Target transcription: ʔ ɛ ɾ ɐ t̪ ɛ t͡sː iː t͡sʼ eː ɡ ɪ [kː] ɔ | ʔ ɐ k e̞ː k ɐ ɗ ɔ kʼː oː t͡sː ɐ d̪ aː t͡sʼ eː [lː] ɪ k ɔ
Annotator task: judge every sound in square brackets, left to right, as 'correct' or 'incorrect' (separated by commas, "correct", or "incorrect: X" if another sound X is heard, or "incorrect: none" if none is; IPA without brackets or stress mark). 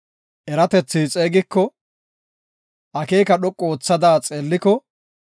correct, correct